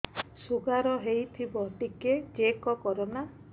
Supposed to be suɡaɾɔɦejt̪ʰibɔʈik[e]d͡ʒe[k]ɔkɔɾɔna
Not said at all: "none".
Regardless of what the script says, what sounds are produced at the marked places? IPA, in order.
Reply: e, k

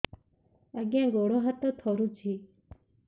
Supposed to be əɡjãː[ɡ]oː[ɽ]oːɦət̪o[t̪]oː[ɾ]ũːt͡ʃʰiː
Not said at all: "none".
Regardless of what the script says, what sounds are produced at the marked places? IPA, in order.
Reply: ɡ, ɽ, t̪ʰ, ɾ

